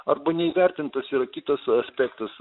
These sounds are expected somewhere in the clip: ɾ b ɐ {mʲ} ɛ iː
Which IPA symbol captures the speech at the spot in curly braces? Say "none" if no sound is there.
nʲ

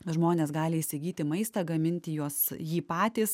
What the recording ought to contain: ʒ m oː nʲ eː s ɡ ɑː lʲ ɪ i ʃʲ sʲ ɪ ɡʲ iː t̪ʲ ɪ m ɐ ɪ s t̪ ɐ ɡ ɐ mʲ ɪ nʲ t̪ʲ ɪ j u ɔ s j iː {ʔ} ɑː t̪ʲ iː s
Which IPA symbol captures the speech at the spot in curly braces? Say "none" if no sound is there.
p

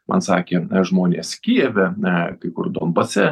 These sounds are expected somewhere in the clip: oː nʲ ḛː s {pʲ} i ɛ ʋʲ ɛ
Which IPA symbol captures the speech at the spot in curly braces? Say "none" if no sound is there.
kʲ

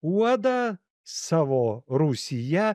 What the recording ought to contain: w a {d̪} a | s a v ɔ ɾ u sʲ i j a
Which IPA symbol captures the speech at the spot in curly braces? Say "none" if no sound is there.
d̪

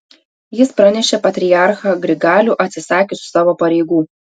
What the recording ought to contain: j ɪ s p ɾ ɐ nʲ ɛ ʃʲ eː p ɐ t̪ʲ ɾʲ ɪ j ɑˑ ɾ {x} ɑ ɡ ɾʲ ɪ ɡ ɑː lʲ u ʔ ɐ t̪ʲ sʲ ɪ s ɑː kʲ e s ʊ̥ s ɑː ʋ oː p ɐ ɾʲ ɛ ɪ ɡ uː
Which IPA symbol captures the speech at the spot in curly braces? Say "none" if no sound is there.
x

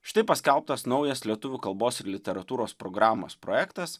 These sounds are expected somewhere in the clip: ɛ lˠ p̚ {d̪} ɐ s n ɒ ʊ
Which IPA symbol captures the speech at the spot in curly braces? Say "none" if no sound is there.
t̪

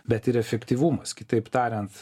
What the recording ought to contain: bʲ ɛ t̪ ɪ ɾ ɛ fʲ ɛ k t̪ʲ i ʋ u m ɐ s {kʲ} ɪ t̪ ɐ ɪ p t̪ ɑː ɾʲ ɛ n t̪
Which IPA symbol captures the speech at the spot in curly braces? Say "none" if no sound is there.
kʲ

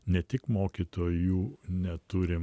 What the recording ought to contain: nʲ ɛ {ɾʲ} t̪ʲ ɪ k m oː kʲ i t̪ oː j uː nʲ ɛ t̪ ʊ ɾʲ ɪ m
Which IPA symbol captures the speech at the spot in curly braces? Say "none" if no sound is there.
none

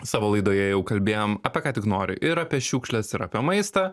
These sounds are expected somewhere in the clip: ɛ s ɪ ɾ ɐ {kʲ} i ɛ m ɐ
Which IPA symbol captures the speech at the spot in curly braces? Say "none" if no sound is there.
pʲ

